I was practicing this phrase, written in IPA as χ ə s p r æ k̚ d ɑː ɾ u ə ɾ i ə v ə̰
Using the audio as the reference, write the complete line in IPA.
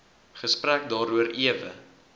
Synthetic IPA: χ ə s p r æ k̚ d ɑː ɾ u ə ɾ i ə v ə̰